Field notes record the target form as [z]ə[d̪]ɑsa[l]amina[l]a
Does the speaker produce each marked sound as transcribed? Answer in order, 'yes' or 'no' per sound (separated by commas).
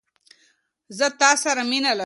yes, no, no, yes